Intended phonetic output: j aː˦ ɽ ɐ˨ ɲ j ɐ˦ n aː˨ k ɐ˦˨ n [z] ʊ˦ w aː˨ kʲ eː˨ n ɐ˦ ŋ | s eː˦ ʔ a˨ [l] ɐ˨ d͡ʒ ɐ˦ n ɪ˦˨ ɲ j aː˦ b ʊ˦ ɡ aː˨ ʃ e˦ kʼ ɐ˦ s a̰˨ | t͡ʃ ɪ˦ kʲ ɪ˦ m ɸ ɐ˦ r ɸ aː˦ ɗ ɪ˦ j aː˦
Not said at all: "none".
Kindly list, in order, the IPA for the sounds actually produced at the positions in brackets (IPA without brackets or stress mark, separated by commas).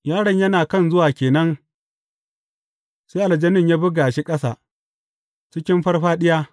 z, l